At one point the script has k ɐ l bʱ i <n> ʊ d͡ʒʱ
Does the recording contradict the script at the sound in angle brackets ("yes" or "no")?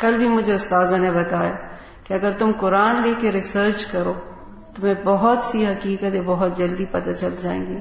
yes